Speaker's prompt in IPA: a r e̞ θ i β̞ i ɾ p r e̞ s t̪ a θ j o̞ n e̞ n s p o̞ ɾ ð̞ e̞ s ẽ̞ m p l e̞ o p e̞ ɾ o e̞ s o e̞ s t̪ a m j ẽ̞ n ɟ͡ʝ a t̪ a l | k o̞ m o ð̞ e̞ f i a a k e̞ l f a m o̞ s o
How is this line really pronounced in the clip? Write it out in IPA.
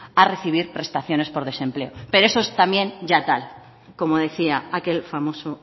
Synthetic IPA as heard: a r e̞ θ i β̞ i ɾ p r e̞ s t̪ a θ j o̞ n e̞ s p o̞ ɾ ð̞ e̞ s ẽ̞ m p l e̞ o p e̞ ɾ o e̞ s o e̞ s t̪ a m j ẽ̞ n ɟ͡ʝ a t̪ a l | k o̞ m o ð̞ e̞ θ i a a k e̞ l f a m o̞ s o